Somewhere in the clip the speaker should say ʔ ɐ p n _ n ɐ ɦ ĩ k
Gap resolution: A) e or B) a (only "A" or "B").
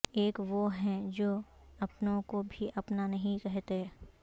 B